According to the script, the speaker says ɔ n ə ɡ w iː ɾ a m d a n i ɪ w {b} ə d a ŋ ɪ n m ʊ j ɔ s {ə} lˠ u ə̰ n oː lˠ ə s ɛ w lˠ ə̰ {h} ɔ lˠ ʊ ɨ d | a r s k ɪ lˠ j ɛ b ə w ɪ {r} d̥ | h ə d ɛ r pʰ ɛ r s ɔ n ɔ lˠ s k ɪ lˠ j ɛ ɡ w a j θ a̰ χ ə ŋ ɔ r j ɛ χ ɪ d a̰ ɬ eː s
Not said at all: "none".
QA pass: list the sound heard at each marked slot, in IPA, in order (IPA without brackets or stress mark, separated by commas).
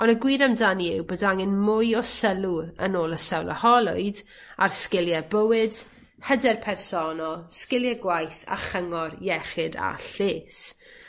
b, ə, h, none